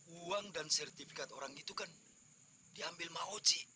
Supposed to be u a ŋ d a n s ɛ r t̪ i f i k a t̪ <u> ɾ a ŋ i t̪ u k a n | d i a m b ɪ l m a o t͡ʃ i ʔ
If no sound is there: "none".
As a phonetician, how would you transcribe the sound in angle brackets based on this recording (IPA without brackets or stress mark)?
o